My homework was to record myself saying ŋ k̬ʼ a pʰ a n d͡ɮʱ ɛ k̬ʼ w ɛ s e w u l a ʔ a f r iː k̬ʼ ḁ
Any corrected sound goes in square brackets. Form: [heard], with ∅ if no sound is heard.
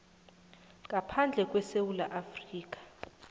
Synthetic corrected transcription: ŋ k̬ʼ a pʰ a n d͡ɮʱ ɛ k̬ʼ w ɛ s e w u l a ʔ a f r iː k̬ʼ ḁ